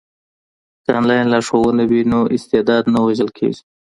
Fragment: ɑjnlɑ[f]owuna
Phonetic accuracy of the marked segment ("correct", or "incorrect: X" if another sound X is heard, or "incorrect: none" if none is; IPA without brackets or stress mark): incorrect: ʂ